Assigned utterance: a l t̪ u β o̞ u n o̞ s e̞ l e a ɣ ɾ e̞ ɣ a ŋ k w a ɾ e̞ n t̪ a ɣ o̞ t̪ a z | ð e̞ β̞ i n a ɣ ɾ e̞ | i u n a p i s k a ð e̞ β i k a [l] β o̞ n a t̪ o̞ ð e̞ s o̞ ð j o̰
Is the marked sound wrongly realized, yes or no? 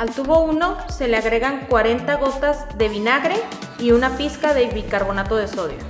yes